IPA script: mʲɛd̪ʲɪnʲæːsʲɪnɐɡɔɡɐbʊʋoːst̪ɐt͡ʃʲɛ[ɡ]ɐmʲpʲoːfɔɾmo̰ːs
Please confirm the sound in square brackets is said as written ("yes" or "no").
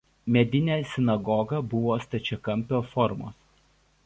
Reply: no